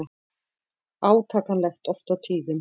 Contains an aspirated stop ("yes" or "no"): yes